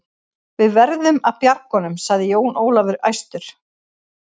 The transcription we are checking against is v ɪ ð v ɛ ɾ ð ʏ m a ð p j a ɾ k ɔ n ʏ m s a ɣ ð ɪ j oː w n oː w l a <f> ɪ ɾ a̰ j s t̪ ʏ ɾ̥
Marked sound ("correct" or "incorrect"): incorrect